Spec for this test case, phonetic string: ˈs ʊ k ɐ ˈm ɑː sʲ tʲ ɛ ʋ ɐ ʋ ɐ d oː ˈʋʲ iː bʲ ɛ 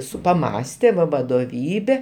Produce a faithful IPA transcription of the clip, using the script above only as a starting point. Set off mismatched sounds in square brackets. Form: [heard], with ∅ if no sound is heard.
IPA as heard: ˈs ʊ [p] ɐ ˈm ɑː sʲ tʲ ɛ ʋ ɐ ʋ ɐ d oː ˈʋʲ iː bʲ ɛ

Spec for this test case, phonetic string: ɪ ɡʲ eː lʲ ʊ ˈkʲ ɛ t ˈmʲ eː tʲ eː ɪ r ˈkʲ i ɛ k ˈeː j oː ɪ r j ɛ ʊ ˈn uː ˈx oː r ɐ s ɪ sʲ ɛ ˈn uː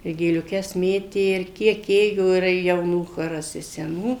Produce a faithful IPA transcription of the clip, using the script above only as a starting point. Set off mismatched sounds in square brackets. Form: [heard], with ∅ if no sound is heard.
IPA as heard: ɪ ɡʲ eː lʲ ʊ ˈkʲ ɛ [s] ˈmʲ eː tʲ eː ɪ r ˈkʲ i ɛ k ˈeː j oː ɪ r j ɛ ʊ ˈn uː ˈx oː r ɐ s ɪ sʲ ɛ ˈn uː

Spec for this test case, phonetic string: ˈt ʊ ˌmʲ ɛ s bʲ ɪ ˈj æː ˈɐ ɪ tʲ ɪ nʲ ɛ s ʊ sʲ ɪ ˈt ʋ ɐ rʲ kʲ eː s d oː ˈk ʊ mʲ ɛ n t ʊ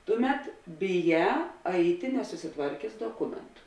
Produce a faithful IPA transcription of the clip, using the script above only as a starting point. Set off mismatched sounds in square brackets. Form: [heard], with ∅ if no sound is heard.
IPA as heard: ˈt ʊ ˌmʲ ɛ [t] bʲ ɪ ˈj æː ˈɐ ɪ tʲ ɪ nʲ ɛ s ʊ sʲ ɪ ˈt ʋ ɐ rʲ kʲ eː s d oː ˈk ʊ mʲ ɛ n t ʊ

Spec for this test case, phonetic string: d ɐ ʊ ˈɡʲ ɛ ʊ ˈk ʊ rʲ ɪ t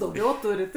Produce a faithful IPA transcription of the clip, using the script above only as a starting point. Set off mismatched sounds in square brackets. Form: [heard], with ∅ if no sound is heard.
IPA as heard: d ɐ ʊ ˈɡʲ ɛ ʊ [ˈt] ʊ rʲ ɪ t

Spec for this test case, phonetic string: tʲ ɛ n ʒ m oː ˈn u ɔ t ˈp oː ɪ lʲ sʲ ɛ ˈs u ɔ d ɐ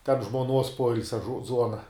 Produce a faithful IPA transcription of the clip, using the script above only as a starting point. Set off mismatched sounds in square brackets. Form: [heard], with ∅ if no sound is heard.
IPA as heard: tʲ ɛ n ʒ m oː ˈn u ɔ [s] ˈp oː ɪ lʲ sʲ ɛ [ˈz] u ɔ [n] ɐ

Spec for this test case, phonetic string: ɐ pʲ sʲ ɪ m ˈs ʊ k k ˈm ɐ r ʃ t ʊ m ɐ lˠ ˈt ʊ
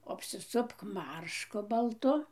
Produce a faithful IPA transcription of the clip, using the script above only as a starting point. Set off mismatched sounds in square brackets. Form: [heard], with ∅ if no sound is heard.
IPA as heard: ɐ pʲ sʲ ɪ [∅] ˈs ʊ [p] k ˈm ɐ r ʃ [k] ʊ [b] ɐ lˠ ˈt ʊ

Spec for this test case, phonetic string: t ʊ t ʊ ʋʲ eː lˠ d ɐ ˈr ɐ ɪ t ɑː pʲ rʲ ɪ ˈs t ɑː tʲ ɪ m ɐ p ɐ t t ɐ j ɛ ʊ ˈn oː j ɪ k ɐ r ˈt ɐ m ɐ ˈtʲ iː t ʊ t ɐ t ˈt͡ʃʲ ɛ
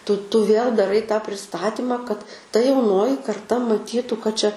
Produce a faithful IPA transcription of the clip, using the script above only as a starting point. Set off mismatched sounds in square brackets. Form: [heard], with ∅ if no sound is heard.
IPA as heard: t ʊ t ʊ ʋʲ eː lˠ d ɐ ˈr ɐ ɪ t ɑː pʲ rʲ ɪ ˈs t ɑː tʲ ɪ m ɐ [k] ɐ t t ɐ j ɛ ʊ ˈn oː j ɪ k ɐ r ˈt ɐ m ɐ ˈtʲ iː t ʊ [k] ɐ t ˈt͡ʃʲ ɛ

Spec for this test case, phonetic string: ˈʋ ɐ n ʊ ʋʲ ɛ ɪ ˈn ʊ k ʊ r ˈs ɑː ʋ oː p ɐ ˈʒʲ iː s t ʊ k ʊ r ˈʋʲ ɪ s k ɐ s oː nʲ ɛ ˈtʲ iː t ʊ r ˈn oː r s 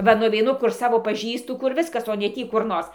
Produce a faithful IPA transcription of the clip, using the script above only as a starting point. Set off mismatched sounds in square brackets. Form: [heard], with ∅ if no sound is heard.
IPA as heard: ˈʋ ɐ n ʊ ʋʲ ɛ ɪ ˈn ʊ k ʊ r ˈs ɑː ʋ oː p ɐ ˈʒʲ iː s t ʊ k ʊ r ˈʋʲ ɪ s k ɐ s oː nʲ ɛ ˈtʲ iː [k] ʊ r ˈn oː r s

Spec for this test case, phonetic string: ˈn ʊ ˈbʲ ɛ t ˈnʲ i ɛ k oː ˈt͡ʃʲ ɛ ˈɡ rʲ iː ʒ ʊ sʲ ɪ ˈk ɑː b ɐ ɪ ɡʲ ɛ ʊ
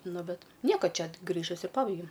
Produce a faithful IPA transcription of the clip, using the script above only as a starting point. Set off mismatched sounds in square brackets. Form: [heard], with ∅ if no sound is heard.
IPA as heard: ˈn ʊ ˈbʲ ɛ t ˈnʲ i ɛ k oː ˈt͡ʃʲ ɛ ˈɡ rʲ iː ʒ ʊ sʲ ɪ [ˈp] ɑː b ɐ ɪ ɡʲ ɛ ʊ

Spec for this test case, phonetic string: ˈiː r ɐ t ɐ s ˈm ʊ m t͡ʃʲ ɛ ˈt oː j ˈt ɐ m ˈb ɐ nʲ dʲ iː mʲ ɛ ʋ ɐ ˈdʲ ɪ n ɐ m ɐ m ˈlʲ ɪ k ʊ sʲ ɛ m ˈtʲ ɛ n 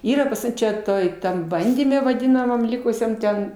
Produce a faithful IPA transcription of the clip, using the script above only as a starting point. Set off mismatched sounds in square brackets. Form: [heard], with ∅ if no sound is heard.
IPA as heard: ˈiː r ɐ [p] ɐ s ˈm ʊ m t͡ʃʲ ɛ ˈt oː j ˈt ɐ m ˈb ɐ nʲ dʲ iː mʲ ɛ ʋ ɐ ˈdʲ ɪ n ɐ m ɐ m ˈlʲ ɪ k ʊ sʲ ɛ m ˈtʲ ɛ n

